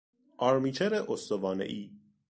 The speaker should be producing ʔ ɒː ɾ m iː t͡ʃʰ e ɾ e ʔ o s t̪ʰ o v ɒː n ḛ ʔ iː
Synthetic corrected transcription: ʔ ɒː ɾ m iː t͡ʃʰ e ɾ e ʔ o s t̪ o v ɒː n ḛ ʔ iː